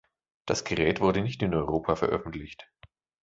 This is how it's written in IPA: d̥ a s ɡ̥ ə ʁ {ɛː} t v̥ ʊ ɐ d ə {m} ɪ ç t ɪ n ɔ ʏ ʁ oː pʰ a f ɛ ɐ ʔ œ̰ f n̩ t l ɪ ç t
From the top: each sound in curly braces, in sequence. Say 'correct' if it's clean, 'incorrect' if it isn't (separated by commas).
correct, incorrect